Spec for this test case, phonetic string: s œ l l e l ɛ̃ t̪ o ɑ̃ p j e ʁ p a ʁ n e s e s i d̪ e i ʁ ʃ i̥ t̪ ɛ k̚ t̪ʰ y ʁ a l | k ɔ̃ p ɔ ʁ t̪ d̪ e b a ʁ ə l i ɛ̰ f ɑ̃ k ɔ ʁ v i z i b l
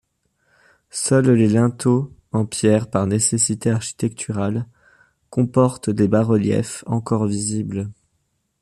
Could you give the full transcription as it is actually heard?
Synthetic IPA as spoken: s œ l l e l ɛ̃ t̪ o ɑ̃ p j ɛ ʁ p a ʁ n e s e s i t̪ e a ʁ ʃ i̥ t̪ ɛ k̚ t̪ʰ y ʁ a l | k ɔ̃ p ɔ ʁ t̪ d̪ e b a ʁ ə l j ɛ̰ f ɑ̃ k ɔ ʁ v i z i b l